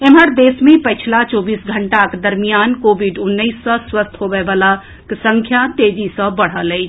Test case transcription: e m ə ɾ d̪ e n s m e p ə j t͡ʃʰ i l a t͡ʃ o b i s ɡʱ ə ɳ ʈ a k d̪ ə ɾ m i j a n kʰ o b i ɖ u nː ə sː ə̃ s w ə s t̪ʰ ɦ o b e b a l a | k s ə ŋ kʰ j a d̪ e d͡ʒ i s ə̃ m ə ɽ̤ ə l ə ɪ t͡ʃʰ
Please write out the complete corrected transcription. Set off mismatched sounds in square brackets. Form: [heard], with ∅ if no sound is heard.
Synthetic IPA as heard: e m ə ɾ d̪ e [∅] s m e p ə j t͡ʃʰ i l a t͡ʃ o b i s ɡʱ ə ɳ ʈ a k d̪ ə ɾ m i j a n [k] o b i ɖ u nː ə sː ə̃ s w ə s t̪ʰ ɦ o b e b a l a | k s ə ŋ kʰ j a [t̪] e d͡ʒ i s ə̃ [b] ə ɽ̤ ə l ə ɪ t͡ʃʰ